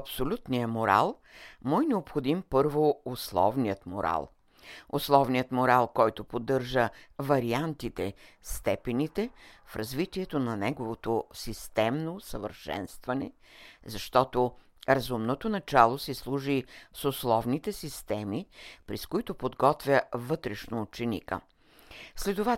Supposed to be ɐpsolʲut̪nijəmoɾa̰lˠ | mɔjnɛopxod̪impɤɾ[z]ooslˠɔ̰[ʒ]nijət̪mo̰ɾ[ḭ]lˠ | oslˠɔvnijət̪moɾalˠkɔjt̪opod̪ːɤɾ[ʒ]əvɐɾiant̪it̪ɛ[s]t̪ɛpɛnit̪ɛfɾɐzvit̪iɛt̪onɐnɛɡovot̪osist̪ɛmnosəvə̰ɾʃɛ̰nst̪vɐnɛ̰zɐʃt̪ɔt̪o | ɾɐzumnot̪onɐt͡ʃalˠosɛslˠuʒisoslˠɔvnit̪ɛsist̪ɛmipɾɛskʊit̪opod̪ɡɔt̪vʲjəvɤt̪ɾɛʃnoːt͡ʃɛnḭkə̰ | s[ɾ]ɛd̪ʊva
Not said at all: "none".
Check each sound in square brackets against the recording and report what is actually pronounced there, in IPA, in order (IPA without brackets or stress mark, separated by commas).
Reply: v, v, a̰, ʒ, s, l